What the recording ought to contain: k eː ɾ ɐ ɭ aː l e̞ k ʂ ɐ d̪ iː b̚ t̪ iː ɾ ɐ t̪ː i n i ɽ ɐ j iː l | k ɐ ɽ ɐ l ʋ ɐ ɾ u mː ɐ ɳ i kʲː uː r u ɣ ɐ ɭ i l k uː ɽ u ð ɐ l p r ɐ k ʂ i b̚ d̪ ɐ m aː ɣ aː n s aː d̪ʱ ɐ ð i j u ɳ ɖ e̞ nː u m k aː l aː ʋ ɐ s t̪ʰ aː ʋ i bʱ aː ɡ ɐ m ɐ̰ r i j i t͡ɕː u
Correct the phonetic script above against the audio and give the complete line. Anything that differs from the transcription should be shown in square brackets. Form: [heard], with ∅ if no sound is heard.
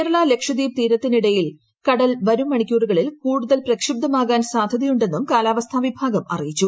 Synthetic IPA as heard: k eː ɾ ɐ ɭ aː l e̞ k ʂ ɐ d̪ iː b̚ t̪ iː ɾ ɐ t̪ː i n i ɽ ɐ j [i] l | k ɐ ɽ ɐ l ʋ ɐ ɾ u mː ɐ ɳ i kʲː uː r u ɣ ɐ ɭ i l k uː ɽ u ð ɐ l p r ɐ k ʂ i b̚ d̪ ɐ m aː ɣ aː n s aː d̪ʱ ɐ ð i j u ɳ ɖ e̞ nː u m k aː l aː ʋ ɐ s t̪ʰ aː ʋ i bʱ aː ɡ ɐ m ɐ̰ r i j i t͡ɕː u